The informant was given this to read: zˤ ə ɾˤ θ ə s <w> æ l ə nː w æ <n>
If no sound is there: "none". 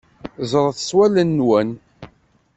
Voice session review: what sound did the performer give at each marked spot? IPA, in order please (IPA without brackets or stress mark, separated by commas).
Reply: w, n